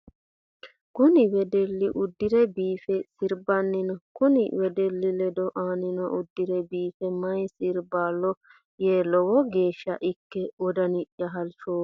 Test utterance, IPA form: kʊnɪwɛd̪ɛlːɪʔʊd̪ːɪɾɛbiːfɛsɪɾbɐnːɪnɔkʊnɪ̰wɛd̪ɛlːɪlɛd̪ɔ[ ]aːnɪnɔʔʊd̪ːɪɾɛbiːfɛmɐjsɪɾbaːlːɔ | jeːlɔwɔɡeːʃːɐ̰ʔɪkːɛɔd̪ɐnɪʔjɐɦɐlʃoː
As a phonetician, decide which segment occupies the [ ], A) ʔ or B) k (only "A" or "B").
A